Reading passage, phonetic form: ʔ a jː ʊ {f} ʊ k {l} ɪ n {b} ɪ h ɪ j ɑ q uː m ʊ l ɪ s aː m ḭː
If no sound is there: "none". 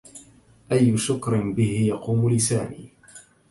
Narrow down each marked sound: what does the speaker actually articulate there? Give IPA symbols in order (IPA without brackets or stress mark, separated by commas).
ʃ, ɾ, b